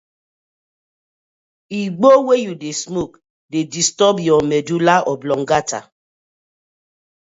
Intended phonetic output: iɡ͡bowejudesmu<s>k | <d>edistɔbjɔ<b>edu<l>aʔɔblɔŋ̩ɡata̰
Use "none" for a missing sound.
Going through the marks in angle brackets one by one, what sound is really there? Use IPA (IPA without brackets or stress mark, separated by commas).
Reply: none, d, m, l